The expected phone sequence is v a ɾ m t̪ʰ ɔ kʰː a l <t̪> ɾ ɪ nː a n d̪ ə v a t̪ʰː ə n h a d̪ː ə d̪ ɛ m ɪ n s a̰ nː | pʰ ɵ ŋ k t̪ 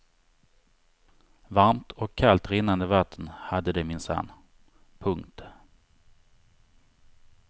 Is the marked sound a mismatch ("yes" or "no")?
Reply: no